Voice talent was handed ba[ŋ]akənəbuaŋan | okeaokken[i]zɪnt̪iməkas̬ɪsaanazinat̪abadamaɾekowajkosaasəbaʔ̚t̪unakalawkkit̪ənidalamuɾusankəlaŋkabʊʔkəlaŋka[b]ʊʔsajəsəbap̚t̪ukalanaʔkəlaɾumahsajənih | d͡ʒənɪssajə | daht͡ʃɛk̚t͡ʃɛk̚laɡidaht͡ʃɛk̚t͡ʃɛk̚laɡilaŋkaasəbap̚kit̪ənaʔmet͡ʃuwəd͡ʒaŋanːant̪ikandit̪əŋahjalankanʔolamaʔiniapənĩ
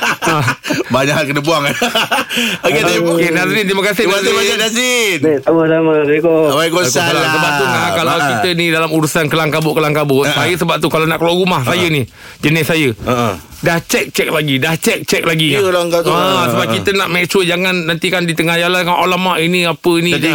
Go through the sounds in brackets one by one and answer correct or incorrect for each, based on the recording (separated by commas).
incorrect, incorrect, correct